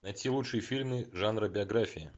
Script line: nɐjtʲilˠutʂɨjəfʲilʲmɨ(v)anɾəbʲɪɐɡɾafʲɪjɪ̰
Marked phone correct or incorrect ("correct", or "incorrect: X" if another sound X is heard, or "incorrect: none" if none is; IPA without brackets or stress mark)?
incorrect: ʐ